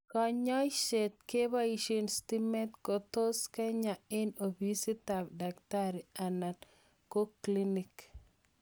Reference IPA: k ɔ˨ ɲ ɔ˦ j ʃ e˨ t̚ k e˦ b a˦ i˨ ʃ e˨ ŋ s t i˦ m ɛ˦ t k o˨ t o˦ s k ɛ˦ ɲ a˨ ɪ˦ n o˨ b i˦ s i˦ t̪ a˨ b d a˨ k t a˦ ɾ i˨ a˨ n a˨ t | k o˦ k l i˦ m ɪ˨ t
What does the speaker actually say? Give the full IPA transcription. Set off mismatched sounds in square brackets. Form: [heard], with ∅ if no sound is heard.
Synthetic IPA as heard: k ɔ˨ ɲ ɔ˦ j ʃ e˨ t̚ k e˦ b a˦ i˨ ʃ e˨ [n] s t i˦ m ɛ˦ t k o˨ t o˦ s k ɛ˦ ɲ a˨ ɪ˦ n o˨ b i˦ s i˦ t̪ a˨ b d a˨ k t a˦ ɾ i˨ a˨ n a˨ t | k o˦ k l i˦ [n] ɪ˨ [k]